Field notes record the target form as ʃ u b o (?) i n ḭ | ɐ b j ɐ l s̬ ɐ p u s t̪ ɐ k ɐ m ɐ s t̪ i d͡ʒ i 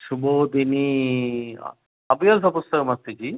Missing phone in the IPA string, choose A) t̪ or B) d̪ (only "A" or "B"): B